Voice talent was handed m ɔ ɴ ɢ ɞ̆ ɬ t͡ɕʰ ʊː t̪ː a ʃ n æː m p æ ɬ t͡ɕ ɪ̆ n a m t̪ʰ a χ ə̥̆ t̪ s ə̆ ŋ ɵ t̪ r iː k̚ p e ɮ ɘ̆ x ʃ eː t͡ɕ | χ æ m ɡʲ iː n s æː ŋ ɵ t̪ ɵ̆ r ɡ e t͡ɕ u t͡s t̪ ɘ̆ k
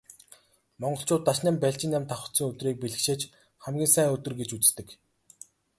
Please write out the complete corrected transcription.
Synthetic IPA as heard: m ɔ ɴ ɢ ɞ̆ ɬ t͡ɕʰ ʊː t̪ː a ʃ n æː m p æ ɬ t͡ɕ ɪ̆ n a m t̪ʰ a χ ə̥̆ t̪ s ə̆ ŋ ɵ t̪ r iː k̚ p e ɮ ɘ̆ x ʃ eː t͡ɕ | χ æ m ɡʲ iː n s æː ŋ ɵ t̪ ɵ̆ r ɡ e t͡ɕ u t͡s t̪ ɘ̆ k